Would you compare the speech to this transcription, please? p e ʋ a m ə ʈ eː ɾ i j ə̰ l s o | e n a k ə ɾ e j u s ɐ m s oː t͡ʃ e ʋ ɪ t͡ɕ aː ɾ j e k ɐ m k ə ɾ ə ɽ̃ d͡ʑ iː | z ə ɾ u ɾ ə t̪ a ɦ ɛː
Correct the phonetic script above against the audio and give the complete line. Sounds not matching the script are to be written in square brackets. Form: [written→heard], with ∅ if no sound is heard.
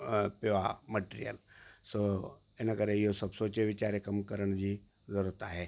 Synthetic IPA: p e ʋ a m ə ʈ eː ɾ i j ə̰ l s o | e n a k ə ɾ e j [u→o] s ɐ [m→b] s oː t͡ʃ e ʋ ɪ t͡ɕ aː ɾ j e k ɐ m k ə ɾ ə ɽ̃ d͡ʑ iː | z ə ɾ u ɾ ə t̪ a ɦ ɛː